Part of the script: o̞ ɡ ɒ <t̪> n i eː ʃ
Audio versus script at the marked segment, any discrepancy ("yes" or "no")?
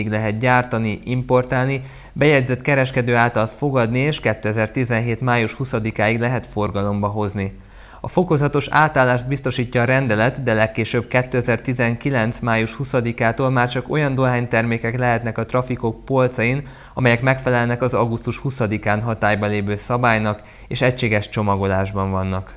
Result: yes